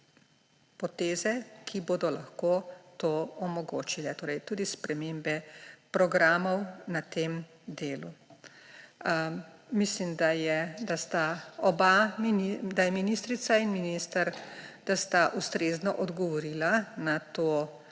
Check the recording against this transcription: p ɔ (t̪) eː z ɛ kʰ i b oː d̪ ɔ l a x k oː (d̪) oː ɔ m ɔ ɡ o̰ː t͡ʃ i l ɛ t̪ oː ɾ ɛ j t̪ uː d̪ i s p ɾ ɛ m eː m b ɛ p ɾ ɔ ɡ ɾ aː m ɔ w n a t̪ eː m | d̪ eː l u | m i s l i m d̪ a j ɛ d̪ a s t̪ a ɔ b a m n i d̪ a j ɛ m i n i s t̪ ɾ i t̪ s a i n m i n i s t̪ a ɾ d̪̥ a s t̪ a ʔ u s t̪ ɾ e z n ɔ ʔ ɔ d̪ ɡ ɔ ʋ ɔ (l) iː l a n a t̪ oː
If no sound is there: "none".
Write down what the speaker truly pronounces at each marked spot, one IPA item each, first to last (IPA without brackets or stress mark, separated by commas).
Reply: t̪, t̪, ɾ